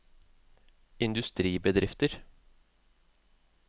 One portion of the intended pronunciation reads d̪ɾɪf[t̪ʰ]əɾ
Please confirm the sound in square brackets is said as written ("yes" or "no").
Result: no